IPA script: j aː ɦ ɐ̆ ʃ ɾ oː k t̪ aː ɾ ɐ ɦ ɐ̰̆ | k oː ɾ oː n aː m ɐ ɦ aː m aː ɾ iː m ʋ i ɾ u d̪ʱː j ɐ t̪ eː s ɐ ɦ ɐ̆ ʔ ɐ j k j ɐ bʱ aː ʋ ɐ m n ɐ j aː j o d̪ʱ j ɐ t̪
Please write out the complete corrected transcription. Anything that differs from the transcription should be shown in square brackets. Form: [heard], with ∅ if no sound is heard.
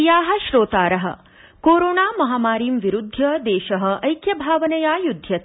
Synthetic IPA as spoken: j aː ɦ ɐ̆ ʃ ɾ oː [∅] t̪ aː ɾ ɐ ɦ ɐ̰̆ | k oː ɾ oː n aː m ɐ ɦ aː m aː ɾ iː m ʋ i ɾ u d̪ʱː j ɐ [d̪] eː [ʃ] ɐ ɦ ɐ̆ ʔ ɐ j k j ɐ bʱ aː ʋ ɐ [∅] n ɐ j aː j [u] d̪ʱ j ɐ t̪